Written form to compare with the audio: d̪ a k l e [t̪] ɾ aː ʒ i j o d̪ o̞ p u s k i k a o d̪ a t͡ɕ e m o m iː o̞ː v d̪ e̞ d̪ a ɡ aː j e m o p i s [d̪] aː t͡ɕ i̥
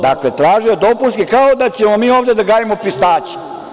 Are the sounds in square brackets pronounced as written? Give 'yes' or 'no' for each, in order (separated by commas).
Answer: yes, no